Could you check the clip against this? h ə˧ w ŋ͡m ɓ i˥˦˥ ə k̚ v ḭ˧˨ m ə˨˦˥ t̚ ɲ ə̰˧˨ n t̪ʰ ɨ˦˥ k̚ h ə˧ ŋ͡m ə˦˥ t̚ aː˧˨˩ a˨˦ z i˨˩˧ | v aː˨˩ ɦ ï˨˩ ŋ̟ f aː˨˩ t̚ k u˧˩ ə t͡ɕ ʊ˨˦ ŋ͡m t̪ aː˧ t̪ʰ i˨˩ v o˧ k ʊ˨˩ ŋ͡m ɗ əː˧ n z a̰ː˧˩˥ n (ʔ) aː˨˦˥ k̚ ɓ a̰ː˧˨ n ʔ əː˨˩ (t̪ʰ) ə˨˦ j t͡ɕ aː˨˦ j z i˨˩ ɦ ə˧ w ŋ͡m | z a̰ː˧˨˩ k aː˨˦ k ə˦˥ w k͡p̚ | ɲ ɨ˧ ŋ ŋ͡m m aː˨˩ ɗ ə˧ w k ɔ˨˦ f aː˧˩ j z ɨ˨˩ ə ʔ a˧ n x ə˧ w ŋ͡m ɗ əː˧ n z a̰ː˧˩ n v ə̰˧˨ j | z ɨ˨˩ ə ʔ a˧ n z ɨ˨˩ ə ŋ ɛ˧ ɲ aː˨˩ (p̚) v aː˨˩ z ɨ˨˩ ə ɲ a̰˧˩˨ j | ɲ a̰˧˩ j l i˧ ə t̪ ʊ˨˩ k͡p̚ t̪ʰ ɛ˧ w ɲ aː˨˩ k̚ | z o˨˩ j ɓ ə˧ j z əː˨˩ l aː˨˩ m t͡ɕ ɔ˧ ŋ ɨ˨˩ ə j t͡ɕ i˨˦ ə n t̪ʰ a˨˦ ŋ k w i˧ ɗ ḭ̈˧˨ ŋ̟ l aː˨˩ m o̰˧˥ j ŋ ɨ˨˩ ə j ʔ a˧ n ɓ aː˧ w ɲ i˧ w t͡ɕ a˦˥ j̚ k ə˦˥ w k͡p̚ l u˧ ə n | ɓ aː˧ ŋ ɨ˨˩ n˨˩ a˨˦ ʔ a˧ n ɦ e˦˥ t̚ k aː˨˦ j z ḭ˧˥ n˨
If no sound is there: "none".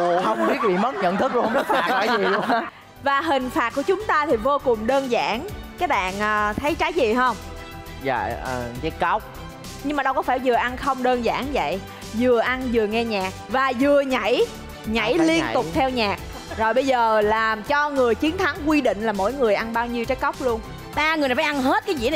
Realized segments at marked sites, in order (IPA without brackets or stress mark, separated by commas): k, t̪ʰ, k̚